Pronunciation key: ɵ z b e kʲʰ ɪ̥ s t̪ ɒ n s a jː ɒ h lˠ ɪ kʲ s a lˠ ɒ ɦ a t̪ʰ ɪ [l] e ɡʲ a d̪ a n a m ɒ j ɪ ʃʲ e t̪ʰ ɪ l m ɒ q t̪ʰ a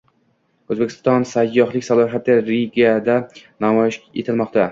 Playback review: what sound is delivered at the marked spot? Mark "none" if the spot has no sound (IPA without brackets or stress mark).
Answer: ɾ